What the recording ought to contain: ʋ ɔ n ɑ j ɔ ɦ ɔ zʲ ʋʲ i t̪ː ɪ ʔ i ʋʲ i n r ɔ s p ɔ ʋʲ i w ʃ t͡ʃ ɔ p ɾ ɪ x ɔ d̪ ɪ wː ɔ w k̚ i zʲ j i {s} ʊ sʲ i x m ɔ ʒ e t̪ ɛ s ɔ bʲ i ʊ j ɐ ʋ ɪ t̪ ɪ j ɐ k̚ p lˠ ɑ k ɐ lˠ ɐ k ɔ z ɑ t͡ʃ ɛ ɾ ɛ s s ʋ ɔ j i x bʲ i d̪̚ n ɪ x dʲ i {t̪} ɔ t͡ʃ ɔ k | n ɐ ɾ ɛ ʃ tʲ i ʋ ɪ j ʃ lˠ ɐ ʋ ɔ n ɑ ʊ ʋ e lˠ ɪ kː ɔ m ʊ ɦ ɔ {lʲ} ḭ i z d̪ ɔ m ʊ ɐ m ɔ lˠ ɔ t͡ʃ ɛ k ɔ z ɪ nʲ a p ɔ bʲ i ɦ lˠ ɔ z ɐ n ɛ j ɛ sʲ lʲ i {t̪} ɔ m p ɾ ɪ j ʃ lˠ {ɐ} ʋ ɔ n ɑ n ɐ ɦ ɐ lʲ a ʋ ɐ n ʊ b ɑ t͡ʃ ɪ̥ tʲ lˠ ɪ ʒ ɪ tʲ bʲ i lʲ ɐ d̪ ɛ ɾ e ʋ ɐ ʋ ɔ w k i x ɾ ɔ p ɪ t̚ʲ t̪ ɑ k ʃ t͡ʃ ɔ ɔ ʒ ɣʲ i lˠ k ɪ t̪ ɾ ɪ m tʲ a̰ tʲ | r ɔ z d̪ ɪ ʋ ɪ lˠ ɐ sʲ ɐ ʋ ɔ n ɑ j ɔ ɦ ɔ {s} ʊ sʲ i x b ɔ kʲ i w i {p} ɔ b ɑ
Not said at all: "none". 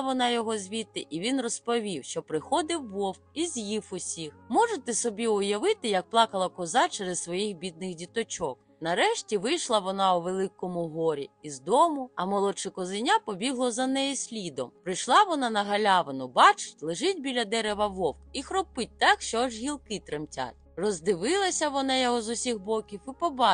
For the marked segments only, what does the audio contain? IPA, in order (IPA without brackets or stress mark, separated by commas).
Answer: f, t̪, ɾʲ, d̪, ɑ, z, p